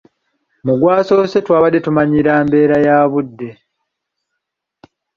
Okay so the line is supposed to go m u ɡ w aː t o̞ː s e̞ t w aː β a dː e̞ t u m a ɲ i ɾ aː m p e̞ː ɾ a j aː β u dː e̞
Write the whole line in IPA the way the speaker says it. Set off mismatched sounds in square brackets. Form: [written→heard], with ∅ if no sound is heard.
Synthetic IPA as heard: m u ɡ w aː [t→s] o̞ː s e̞ t w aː β a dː e̞ t u m a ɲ i ɾ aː m [p→b] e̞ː ɾ a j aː β u dː e̞